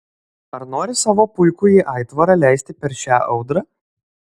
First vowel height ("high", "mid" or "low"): low